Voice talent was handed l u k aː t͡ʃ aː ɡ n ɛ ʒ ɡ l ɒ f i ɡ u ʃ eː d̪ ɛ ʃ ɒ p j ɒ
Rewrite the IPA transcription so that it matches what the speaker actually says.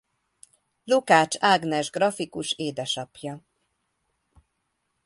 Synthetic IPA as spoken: l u k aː t͡ʃ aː ɡ n ɛ ʒ ɡ r ɒ f i k u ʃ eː d̪ ɛ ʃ ɒ p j ɒ